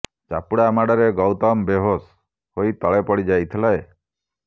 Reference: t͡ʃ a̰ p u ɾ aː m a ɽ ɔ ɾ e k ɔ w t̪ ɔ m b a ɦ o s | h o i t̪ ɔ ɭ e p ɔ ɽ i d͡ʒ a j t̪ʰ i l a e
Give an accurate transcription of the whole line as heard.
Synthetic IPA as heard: t͡ʃ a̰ p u ɽ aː m a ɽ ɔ ɾ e ɡ ɔ w t̪ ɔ m b e ɦ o s | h o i t̪ ɔ ɭ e p ɔ ɽ i d͡ʒ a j t̪ʰ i l a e